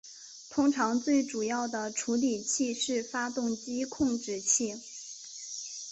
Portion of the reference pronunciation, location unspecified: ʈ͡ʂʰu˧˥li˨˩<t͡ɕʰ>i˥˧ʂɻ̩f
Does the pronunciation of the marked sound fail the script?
no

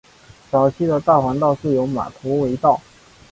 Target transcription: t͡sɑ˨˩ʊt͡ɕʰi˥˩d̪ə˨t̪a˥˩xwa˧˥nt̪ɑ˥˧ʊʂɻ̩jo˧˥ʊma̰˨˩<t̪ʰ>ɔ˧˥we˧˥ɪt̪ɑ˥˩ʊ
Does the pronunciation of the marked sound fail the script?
no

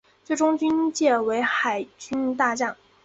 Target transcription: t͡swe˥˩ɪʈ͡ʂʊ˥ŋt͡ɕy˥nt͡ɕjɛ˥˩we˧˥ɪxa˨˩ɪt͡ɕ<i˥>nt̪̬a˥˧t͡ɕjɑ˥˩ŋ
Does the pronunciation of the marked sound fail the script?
yes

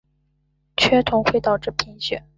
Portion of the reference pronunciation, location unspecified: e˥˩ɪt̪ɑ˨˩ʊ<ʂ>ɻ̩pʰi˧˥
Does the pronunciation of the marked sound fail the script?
yes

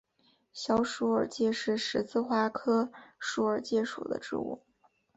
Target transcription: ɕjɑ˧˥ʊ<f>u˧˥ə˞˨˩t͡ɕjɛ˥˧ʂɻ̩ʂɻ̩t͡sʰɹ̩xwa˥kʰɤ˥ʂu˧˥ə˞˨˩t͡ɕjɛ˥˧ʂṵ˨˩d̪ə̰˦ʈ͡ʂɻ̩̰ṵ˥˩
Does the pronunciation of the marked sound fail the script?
yes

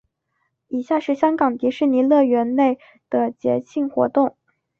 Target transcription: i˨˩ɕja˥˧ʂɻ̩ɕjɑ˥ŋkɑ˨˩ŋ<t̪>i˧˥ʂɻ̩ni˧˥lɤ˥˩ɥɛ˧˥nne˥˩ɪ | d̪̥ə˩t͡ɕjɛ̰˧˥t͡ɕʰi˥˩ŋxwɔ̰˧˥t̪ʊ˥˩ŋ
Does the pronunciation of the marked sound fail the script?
no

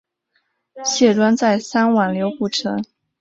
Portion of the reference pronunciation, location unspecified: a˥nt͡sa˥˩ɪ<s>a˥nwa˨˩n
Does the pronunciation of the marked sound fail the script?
no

